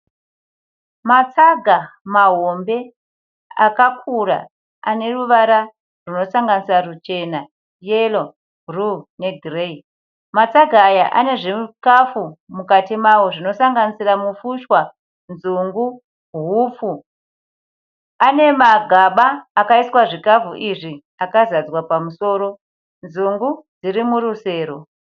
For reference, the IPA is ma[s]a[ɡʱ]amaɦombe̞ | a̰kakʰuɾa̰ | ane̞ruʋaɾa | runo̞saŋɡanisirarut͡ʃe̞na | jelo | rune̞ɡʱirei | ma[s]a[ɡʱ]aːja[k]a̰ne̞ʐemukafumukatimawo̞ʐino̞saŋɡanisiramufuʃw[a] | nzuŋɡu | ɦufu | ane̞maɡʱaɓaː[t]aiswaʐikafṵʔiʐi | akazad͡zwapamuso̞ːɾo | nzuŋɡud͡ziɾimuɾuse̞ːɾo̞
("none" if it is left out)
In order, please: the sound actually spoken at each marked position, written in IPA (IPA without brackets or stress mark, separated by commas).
t͡s, ɡʱ, t͡s, ɡʱ, ʔ, a, k